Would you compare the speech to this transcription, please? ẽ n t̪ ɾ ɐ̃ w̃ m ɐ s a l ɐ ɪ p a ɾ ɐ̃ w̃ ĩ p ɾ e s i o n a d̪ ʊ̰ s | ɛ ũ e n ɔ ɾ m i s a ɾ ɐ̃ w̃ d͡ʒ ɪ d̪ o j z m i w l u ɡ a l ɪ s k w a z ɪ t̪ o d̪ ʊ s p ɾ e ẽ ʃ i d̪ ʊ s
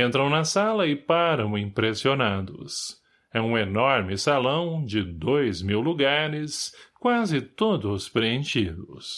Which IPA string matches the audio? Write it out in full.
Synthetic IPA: ẽ n t̪ ɾ ɐ̃ w̃ n ɐ s a l ɐ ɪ p a ɾ ɐ̃ w̃ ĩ p ɾ e s i o n a d̪ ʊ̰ s | ɛ ũ e n ɔ ɾ m ɪ s a l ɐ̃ w̃ d͡ʒ ɪ d̪ o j z m i w l u ɡ a ɾ ɪ s k w a z ɪ t̪ o d̪ ʊ s p ɾ e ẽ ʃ i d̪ ʊ s